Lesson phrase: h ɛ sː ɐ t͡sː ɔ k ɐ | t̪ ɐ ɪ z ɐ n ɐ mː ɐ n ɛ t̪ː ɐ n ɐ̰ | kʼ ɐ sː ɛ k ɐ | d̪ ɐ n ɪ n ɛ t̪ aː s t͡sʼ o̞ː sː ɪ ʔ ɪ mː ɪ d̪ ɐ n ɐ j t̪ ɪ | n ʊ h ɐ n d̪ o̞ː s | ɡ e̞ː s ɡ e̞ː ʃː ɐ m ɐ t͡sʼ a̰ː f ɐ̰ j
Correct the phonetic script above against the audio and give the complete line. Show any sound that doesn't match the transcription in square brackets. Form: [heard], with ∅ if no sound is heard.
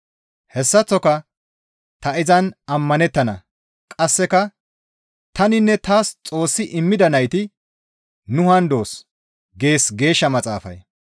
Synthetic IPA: h ɛ sː ɐ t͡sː ɔ k ɐ | t̪ ɐ ɪ z ɐ n ɐ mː ɐ n ɛ t̪ː ɐ n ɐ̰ | kʼ ɐ sː ɛ k ɐ | [t̪] ɐ n ɪ [nː] ɛ t̪ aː s t͡sʼ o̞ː sː ɪ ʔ ɪ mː ɪ d̪ ɐ n ɐ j t̪ ɪ | n ʊ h ɐ n d̪ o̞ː s | ɡ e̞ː s ɡ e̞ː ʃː ɐ m ɐ t͡sʼ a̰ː f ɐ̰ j

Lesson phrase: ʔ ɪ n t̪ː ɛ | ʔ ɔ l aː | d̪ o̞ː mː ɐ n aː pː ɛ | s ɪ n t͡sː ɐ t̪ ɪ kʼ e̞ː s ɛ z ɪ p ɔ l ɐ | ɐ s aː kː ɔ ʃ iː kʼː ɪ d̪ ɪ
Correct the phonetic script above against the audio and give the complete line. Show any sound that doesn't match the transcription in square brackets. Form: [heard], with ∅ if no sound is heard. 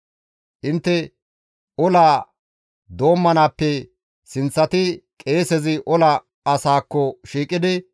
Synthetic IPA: ʔ ɪ n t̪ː ɛ | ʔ ɔ l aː | d̪ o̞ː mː ɐ n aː pː ɛ | s ɪ n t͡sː ɐ t̪ ɪ kʼ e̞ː s ɛ z ɪ [ʔ] ɔ l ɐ | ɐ s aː kː ɔ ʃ iː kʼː ɪ d̪ ɪ

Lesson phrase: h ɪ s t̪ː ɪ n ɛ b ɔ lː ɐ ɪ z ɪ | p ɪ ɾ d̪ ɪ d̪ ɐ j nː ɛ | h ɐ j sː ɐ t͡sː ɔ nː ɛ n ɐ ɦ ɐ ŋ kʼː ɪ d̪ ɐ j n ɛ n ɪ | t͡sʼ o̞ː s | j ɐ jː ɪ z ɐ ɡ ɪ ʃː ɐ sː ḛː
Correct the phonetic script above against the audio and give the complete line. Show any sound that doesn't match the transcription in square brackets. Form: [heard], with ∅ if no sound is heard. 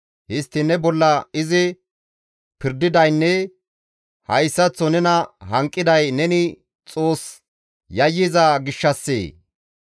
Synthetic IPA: h ɪ s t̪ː ɪ n ɛ b ɔ lː ɐ ɪ z ɪ | p ɪ ɾ d̪ ɪ d̪ ɐ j nː ɛ | h ɐ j sː ɐ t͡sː ɔ [n] ɛ n ɐ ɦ ɐ ŋ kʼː ɪ d̪ ɐ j n ɛ n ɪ | t͡sʼ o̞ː s | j ɐ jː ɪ z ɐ ɡ ɪ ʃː ɐ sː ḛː

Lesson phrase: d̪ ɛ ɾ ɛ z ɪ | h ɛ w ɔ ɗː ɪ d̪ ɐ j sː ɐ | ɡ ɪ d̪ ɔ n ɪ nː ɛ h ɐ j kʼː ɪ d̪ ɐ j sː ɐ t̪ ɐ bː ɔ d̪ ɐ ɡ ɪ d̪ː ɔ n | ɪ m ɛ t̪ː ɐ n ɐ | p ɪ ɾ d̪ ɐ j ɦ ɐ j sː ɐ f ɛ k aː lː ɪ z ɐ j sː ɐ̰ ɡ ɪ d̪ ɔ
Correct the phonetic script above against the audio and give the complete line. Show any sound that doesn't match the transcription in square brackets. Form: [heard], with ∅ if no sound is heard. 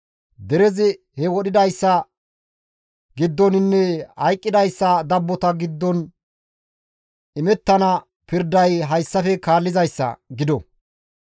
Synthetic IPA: d̪ ɛ ɾ ɛ z ɪ | h ɛ w ɔ [ɗ] ɪ d̪ ɐ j sː ɐ | ɡ ɪ [d̪ː] ɔ n ɪ nː ɛ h ɐ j kʼː ɪ d̪ ɐ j sː ɐ [d̪] ɐ bː ɔ [t̪] ɐ ɡ ɪ d̪ː ɔ n | ɪ m ɛ t̪ː ɐ n ɐ | p ɪ ɾ d̪ ɐ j ɦ ɐ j sː ɐ f ɛ k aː lː ɪ z ɐ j sː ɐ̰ ɡ ɪ d̪ ɔ

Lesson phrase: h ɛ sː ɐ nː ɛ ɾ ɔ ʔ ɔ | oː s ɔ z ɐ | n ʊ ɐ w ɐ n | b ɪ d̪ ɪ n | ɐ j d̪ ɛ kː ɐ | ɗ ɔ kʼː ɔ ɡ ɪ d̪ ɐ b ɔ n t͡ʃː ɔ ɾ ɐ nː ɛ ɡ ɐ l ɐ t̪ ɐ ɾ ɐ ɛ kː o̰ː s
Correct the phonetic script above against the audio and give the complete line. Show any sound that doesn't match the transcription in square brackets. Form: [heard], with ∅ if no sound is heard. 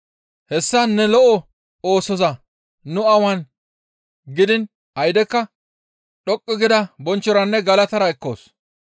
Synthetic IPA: h ɛ sː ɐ nː ɛ [l] ɔ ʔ ɔ | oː s ɔ z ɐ | n ʊ ɐ w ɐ n | [ɡ] ɪ d̪ ɪ n | ɐ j d̪ ɛ kː ɐ | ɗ ɔ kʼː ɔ ɡ ɪ d̪ ɐ b ɔ n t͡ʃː ɔ ɾ ɐ nː ɛ ɡ ɐ l ɐ t̪ ɐ ɾ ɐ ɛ kː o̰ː s

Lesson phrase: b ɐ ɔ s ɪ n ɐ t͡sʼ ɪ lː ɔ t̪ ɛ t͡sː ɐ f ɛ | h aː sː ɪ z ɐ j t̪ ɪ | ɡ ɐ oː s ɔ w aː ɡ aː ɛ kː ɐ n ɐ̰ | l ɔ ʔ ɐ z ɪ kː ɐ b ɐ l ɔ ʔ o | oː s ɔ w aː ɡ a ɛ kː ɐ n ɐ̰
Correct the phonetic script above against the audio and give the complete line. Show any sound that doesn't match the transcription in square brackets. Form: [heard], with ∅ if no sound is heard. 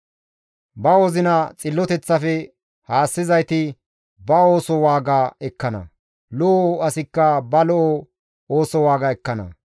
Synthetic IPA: b ɐ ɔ [z] ɪ n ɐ t͡sʼ ɪ lː ɔ t̪ ɛ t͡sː ɐ f ɛ | h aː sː ɪ z ɐ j t̪ ɪ | [b] ɐ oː s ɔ w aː ɡ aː ɛ kː ɐ n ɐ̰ | l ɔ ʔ ɐ [s] ɪ kː ɐ b ɐ l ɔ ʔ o | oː s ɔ w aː ɡ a ɛ kː ɐ n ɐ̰

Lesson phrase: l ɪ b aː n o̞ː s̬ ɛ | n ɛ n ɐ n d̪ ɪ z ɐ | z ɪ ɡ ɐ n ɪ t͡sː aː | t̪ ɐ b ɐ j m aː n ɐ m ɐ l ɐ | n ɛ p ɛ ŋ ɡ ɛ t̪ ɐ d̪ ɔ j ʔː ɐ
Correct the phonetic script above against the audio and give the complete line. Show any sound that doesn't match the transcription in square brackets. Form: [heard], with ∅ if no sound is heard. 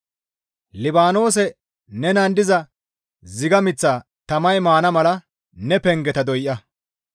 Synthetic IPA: l ɪ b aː n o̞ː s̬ ɛ | n ɛ n ɐ n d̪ ɪ z ɐ | z ɪ ɡ ɐ [m] ɪ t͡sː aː | t̪ ɐ [m] ɐ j m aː n ɐ m ɐ l ɐ | n ɛ p ɛ ŋ ɡ ɛ t̪ ɐ d̪ ɔ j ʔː ɐ

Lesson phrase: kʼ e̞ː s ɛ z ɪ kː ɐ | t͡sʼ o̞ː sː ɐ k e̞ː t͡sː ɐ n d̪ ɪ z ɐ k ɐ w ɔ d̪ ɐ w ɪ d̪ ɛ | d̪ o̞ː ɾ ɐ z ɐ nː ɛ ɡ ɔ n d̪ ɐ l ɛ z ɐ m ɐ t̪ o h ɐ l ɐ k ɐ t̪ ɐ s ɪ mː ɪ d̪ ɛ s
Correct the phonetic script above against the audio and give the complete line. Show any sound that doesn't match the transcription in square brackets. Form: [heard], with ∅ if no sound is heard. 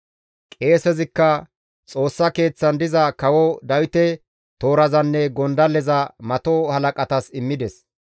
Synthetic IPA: kʼ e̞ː s ɛ z ɪ kː ɐ | t͡sʼ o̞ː sː ɐ k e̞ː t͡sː ɐ n d̪ ɪ z ɐ k ɐ w ɔ d̪ ɐ w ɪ [t̪] ɛ | [t̪] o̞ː ɾ ɐ z ɐ nː ɛ ɡ ɔ n d̪ ɐ l ɛ z ɐ m ɐ t̪ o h ɐ l ɐ [kʼ] ɐ t̪ ɐ s ɪ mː ɪ d̪ ɛ s

